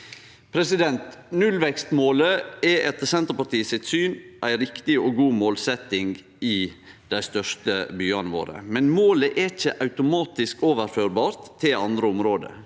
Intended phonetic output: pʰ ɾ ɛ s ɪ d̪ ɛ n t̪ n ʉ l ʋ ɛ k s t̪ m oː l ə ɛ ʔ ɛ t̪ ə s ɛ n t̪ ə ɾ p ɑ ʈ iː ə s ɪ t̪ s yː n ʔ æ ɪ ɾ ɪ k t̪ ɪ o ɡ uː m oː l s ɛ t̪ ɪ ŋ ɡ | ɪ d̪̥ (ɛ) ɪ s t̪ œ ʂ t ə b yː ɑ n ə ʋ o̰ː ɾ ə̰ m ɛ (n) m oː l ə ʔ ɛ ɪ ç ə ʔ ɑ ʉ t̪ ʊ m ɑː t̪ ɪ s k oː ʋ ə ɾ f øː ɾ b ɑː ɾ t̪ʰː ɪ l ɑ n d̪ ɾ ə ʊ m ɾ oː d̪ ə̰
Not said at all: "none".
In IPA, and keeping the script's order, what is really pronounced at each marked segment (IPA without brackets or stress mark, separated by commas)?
æ, n